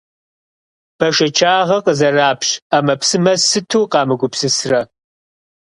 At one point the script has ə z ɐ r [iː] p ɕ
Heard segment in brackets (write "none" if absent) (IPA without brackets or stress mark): aː